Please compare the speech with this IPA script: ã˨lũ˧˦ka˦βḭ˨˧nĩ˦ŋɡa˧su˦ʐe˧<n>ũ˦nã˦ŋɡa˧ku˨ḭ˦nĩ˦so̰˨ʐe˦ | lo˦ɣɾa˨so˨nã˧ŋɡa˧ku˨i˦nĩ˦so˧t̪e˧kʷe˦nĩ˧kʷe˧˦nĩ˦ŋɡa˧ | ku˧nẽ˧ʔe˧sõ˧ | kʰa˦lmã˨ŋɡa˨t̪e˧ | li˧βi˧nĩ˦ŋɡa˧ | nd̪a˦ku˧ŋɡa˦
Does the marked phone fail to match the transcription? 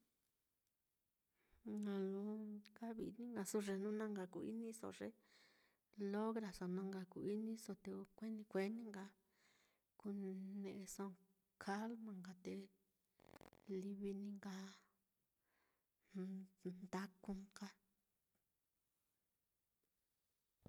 no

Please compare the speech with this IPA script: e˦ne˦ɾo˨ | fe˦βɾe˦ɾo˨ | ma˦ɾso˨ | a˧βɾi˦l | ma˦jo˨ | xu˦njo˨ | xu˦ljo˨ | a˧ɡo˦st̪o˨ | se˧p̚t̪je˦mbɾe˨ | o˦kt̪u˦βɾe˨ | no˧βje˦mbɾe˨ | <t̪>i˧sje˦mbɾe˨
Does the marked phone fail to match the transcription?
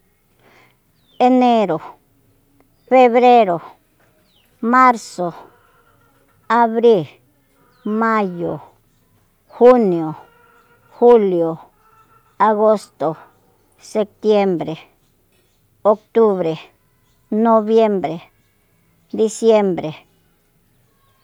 yes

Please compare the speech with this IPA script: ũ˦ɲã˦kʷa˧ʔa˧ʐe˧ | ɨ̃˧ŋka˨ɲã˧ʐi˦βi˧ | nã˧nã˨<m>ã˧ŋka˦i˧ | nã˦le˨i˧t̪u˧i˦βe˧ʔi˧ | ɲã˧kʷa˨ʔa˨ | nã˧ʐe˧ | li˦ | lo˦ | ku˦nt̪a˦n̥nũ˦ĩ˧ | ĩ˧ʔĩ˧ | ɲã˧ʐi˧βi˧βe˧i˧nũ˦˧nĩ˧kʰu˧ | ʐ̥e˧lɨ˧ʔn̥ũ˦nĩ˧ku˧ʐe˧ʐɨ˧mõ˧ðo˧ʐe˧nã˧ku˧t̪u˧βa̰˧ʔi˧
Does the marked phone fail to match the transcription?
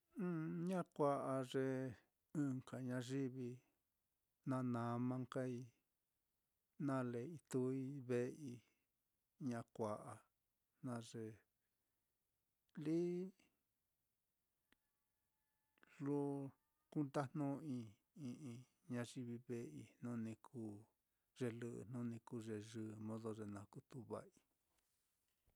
no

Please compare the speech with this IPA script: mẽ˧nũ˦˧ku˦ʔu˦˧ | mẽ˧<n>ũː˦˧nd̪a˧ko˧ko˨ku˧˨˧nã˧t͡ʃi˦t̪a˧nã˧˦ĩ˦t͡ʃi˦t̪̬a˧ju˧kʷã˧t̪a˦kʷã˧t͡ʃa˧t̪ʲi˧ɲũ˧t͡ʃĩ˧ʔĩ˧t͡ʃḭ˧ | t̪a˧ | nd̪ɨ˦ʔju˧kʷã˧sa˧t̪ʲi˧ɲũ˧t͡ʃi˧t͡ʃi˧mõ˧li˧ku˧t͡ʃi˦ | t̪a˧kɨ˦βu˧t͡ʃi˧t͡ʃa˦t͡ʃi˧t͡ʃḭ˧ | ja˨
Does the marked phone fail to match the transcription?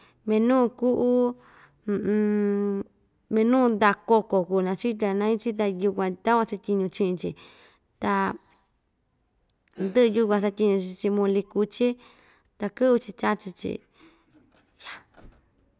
no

